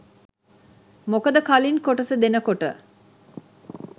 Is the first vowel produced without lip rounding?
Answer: no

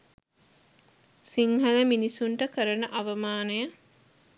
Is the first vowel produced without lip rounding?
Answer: yes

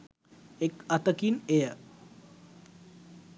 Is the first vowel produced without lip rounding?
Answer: yes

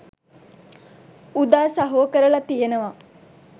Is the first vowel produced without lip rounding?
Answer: no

